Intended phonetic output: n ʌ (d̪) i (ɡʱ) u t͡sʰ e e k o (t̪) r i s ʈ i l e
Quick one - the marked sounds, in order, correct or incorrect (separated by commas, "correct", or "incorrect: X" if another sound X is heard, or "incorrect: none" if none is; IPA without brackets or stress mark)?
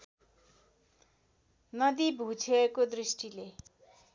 correct, incorrect: bʱ, incorrect: d̪